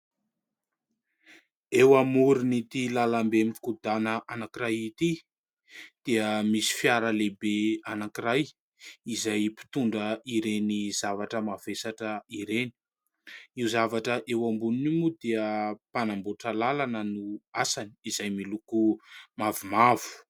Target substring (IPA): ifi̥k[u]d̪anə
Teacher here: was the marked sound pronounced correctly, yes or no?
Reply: yes